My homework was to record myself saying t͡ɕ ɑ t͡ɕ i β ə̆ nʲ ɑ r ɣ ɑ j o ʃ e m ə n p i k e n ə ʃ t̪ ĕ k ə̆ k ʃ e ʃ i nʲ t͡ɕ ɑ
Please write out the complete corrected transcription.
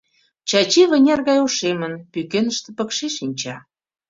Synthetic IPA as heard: t͡ɕ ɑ t͡ɕ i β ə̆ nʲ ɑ r ɣ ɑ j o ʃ e m ə n p y k e n ə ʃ t̪ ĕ p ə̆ k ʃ e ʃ i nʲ t͡ɕ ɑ